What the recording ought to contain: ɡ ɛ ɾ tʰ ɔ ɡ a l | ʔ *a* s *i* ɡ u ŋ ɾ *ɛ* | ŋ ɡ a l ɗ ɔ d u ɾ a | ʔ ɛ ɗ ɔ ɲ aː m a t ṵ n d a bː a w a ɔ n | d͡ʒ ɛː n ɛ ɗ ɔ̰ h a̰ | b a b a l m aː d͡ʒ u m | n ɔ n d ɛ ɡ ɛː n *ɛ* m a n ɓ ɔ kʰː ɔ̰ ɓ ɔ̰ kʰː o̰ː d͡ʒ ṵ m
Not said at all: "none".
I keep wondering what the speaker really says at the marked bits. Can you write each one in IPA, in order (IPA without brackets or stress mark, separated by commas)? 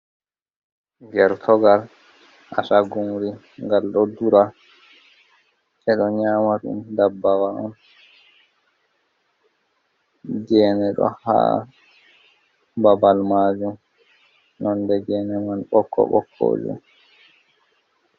a, a, i, ɛ